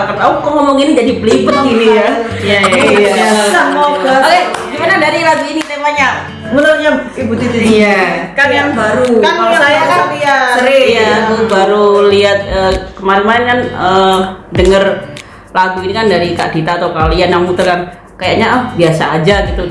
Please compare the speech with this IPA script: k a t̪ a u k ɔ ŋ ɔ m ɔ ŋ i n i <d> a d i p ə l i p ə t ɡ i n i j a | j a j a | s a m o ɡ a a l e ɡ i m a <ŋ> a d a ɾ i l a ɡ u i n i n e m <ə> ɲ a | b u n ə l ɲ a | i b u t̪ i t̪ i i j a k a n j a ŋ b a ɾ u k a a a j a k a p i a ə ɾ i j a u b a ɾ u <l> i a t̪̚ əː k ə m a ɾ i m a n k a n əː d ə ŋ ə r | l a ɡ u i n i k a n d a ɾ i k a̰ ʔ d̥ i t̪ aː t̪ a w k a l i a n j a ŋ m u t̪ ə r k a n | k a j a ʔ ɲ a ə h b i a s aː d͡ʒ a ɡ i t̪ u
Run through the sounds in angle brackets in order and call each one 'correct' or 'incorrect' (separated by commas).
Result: incorrect, incorrect, incorrect, correct